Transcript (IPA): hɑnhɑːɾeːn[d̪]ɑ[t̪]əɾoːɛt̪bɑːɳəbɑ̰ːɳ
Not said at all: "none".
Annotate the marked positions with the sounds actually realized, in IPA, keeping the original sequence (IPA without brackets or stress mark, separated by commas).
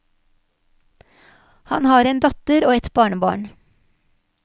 d̪, t̪